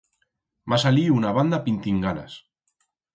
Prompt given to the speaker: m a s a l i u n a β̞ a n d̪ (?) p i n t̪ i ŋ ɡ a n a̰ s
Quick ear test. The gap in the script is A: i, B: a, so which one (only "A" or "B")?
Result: B